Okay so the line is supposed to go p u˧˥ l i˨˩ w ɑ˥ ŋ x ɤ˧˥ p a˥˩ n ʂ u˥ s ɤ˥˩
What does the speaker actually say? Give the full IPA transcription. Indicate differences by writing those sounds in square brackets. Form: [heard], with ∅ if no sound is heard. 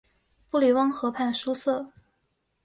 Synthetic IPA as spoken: p [u˥˩] l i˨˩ w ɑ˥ ŋ x ɤ˧˥ [pʰ] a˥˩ n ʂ u˥ s ɤ˥˩